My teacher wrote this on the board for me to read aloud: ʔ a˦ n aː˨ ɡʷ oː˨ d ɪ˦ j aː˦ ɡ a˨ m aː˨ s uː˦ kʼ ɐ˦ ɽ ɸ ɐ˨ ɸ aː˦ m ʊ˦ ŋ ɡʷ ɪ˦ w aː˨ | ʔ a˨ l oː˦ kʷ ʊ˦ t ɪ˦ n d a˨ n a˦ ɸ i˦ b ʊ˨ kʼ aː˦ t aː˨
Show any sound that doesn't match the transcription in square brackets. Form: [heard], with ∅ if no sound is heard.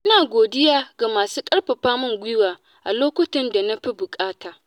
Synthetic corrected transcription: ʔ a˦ n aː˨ ɡʷ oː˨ d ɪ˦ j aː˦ ɡ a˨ m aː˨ s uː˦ kʼ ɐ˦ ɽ ɸ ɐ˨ ɸ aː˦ m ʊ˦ ŋ ɡʷ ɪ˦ w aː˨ | ʔ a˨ l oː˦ kʷ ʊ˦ t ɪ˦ n d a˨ n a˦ ɸ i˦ b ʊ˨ kʼ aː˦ t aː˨